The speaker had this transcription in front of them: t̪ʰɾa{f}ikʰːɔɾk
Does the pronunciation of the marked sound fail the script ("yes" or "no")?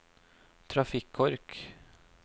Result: no